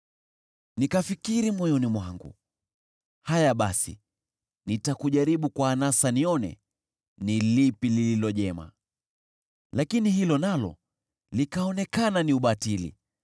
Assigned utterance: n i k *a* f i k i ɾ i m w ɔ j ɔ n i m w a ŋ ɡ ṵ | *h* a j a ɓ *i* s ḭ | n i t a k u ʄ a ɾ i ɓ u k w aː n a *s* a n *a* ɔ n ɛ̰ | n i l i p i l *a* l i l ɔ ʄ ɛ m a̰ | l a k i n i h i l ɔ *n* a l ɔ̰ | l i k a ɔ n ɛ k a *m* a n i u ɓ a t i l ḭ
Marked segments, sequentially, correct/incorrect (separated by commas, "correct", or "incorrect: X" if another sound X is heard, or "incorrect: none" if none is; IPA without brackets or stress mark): correct, correct, incorrect: a, correct, incorrect: i, incorrect: i, correct, incorrect: n